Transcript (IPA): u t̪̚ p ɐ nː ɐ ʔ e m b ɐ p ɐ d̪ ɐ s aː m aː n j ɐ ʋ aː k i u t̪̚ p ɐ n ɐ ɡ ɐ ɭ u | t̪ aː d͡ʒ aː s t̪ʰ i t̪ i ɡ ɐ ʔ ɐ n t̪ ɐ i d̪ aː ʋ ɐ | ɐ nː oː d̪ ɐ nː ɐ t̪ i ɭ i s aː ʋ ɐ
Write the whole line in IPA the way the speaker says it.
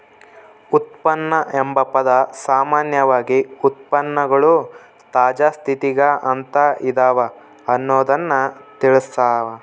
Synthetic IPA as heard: u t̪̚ p ɐ nː ɐ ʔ e m b ɐ p ɐ d̪ ɐ s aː m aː n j ɐ ʋ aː ɡ i u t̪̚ p ɐ nː ɐ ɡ ɐ ɭ u | t̪ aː d͡ʒ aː s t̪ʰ i t̪ i ɡ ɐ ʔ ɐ n t̪ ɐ i d̪ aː ʋ ɐ | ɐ nː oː d̪ ɐ nː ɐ t̪ i ɭ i s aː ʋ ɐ

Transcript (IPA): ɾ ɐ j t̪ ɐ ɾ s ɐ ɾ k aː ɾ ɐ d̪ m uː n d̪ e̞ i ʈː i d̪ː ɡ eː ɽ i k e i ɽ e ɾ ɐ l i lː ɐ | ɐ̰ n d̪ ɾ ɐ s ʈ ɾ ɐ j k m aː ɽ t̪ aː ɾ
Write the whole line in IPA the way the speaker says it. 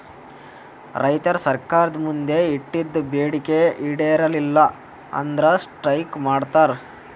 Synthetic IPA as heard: ɾ ɐ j t̪ ɐ ɾ s ɐ ɾ k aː ɾ ɐ d̪ m u n d̪ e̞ i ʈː i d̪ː b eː ɽ i k e i ɽ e ɾ ɐ l i lː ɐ | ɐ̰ n d̪ ɾ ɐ s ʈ ɾ ɐ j k m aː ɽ t̪ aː ɾ

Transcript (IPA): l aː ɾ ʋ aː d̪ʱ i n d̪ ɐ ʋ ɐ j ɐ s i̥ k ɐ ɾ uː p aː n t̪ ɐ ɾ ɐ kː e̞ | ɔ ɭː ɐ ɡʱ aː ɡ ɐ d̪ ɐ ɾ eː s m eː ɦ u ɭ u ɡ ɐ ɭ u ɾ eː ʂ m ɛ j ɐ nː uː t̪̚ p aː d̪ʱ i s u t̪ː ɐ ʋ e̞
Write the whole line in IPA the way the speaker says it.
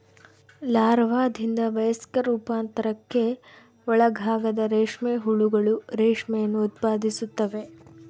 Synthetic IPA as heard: l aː ɾ ʋ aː d̪ʱ i n d̪ ɐ ʋ ɐ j ɐ s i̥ k ɐ ɾ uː p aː n t̪ ɐ ɾ ɐ kː e̞ | ɔ ɭ ɐ ɡʱ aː ɡ ɐ d̪ ɐ ɾ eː ʂ m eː ɦ u ɭ u ɡ ɐ ɭ u ɾ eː ʂ m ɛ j ɐ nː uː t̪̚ p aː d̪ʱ i s u t̪ː ɐ ʋ e̞

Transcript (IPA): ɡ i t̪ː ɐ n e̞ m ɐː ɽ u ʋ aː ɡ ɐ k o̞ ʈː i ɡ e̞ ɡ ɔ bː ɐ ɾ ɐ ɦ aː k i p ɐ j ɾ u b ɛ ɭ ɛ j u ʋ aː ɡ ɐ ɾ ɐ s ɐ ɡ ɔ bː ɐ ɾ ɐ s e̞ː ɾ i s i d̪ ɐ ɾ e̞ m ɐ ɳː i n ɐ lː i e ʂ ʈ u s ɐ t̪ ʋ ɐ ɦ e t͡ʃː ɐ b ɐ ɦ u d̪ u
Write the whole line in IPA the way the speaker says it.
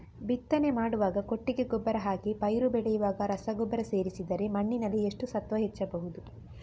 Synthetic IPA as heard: b i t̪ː ɐ n e̞ m aː ɽ u ʋ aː ɡ ɐ k o̞ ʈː i ɡ e̞ ɡ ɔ bː ɐ ɾ ɐ ɦ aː k i p ɐ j ɾ u b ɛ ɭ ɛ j u ʋ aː ɡ ɐ ɾ ɐ s ɐ ɡ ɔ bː ɐ ɾ ɐ s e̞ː ɾ i s i d̪ ɐ ɾ e̞ m ɐ ɳː i n ɐ lː i e ʂ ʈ u s ɐ t̪ ʋ ɐ ɦ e t͡ʃː ɐ b ɐ ɦ u d̪ u

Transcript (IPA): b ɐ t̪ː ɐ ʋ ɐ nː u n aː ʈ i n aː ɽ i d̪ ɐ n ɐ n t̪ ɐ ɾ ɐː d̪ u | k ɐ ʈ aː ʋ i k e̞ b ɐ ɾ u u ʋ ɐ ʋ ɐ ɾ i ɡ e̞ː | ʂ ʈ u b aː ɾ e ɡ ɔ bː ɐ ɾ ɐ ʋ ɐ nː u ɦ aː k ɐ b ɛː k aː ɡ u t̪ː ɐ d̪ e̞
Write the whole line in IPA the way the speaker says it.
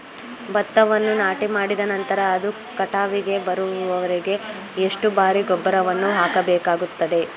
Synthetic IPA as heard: b ɐ t̪ː ɐ ʋ ɐ nː u n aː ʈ i m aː ɽ i d̪ ɐ n ɐ n t̪ ɐ ɾ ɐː d̪ u | k ɐ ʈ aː ʋ i ɡ e̞ b ɐ ɾ u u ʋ ɐ ʋ ɐ ɾ i ɡ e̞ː | ʂ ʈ u b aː ɾ i ɡ ɔ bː ɐ ɾ ɐ ʋ ɐ nː u ɦ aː k ɐ b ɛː k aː ɡ u t̪ː ɐ d̪ e̞

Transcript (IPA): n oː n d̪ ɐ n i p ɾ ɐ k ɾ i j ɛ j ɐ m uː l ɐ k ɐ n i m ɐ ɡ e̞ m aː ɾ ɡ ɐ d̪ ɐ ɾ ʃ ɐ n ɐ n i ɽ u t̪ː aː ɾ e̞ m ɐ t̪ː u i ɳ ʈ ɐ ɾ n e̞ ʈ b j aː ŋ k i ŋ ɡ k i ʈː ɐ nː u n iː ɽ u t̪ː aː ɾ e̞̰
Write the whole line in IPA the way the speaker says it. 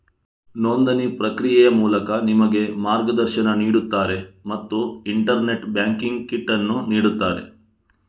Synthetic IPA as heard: n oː n d̪ ɐ n i p ɾ ɐ k ɾ i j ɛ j ɐ m uː l ɐ k ɐ n i m ɐ ɡ e̞ m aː ɾ ɡ ɐ d̪ ɐ ɾ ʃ ɐ n ɐ n iː ɽ u t̪ː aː ɾ e̞ m ɐ t̪ː u i ɳ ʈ ɐ ɾ n e̞ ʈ b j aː ŋ k i ŋ ɡ k i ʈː ɐ nː u n iː ɽ u t̪ː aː ɾ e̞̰

